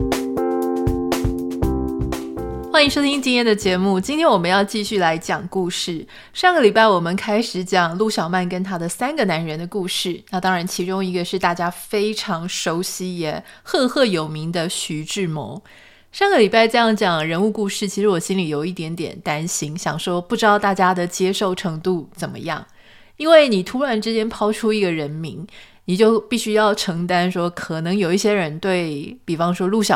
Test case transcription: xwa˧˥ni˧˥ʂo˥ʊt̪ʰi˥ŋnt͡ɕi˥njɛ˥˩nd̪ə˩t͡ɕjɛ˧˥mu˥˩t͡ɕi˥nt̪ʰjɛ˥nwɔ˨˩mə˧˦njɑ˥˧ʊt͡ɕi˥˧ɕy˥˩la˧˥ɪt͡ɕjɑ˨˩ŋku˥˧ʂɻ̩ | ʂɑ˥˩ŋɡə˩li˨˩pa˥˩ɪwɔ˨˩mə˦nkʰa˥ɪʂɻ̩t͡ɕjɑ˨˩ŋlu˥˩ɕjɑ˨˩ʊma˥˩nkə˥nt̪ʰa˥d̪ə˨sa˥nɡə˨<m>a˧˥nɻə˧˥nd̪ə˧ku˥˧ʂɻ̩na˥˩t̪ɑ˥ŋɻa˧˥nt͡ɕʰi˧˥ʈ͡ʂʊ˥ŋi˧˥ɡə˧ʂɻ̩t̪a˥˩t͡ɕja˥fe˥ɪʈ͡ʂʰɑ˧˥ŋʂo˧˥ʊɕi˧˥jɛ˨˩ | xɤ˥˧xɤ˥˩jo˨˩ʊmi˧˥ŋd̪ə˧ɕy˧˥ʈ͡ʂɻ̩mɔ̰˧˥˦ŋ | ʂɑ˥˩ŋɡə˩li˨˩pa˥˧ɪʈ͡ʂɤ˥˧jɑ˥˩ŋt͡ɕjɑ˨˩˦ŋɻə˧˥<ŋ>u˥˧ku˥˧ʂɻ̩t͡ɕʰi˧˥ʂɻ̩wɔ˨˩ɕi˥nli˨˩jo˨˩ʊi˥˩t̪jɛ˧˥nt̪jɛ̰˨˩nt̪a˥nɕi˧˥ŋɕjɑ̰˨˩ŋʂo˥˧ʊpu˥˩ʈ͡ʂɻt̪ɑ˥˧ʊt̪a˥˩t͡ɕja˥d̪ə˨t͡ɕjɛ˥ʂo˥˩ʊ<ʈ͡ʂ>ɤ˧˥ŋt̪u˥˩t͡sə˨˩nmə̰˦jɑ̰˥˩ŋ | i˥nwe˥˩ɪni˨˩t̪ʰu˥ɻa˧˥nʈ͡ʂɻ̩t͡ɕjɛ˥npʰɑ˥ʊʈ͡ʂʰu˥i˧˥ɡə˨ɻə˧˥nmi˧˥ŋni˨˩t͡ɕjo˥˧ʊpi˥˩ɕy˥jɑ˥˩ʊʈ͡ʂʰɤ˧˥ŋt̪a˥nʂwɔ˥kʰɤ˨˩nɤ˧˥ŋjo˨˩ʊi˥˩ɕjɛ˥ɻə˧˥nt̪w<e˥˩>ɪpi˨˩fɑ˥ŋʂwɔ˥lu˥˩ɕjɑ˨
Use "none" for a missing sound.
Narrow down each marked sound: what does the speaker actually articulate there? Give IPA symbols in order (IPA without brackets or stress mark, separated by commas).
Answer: n, n, ʈ͡ʂʰ, e˥˩